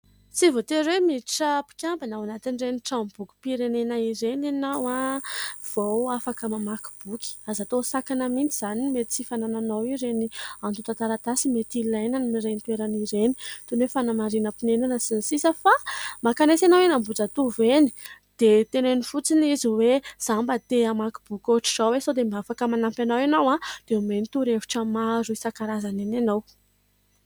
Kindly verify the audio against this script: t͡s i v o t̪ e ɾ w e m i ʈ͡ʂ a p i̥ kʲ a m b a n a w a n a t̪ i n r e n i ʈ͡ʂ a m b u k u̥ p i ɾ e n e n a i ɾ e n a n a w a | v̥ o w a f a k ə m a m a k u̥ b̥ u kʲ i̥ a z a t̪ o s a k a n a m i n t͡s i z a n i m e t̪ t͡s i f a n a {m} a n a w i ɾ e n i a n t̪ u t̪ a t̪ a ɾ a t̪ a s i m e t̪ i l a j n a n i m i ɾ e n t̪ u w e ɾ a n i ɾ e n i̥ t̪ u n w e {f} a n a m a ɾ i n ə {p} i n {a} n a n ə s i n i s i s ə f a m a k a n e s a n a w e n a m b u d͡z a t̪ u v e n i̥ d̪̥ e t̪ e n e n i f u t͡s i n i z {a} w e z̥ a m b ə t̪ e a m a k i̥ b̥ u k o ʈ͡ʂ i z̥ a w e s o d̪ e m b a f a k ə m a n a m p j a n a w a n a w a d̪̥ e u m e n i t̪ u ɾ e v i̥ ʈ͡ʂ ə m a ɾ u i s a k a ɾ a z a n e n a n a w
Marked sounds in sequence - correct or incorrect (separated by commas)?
incorrect, correct, correct, incorrect, incorrect